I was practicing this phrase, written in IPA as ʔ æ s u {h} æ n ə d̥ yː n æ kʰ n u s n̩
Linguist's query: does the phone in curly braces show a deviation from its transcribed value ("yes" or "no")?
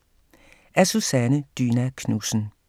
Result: yes